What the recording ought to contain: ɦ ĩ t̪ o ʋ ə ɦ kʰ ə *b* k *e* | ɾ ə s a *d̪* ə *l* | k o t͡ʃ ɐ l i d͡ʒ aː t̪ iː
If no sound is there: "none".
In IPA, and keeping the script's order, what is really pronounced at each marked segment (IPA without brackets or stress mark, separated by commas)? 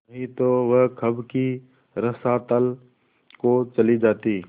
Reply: b, i, t̪, l